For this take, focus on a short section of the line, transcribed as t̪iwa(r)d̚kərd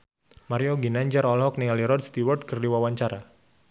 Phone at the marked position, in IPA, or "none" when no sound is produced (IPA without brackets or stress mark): r